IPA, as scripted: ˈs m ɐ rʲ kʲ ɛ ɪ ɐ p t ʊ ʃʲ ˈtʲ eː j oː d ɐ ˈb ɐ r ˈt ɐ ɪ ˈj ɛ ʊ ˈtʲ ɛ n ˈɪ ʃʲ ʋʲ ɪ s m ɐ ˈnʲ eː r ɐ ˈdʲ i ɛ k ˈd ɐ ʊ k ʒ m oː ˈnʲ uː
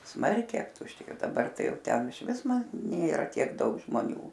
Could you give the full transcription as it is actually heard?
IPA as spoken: ˈs m ɐ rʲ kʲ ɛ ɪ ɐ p t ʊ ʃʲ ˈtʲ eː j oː d ɐ ˈb ɐ r ˈt ɐ ɪ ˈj ɛ ʊ ˈtʲ ɛ n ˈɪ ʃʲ ʋʲ ɪ s m ɐ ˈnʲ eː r ɐ ˈtʲ i ɛ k ˈd ɐ ʊ k ʒ m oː ˈnʲ uː